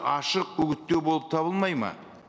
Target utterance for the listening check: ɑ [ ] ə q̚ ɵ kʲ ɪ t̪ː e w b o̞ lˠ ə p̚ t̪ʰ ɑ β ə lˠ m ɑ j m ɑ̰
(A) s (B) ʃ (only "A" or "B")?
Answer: B